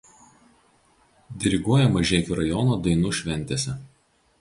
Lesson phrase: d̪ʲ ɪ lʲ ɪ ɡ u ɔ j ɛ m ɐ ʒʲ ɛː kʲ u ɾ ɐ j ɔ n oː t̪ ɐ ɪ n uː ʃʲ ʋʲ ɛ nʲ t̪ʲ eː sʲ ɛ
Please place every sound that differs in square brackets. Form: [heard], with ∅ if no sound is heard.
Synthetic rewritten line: d̪ʲ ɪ [ɾʲ] ɪ ɡ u ɔ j ɛ m ɐ ʒʲ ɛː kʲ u ɾ ɐ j ɔ n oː [d̪] ɐ ɪ n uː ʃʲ ʋʲ ɛ nʲ t̪ʲ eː sʲ ɛ

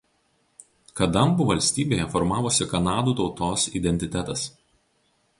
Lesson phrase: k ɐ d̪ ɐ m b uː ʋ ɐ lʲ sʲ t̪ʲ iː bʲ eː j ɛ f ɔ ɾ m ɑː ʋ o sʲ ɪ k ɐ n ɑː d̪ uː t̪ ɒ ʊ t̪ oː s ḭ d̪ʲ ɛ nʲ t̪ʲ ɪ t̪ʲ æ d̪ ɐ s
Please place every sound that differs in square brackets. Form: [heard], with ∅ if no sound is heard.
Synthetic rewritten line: k ɐ d̪ ɐ m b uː ʋ ɐ lʲ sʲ t̪ʲ iː bʲ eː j ɛ f ɔ ɾ m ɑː ʋ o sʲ ɪ k ɐ n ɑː d̪ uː t̪ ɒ ʊ t̪ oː s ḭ d̪ʲ ɛ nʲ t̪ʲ ɪ t̪ʲ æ [t̪] ɐ s

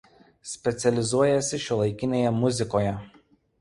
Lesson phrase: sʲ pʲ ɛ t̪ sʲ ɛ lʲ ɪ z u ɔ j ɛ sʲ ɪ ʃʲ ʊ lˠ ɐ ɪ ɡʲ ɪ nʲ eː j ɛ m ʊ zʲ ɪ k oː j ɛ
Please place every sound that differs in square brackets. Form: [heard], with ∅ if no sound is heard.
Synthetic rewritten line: sʲ pʲ ɛ t̪ sʲ ɛ lʲ ɪ z u ɔ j ɛ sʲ ɪ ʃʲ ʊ lˠ ɐ ɪ [kʲ] ɪ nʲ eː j ɛ m ʊ zʲ ɪ k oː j ɛ

